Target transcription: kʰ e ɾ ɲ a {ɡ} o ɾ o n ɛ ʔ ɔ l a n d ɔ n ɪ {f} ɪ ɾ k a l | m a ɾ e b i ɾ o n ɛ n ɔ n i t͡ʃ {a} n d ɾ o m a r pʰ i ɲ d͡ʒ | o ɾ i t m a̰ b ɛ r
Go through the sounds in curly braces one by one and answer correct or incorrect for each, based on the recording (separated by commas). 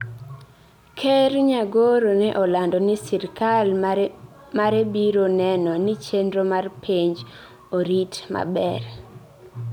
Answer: correct, incorrect, incorrect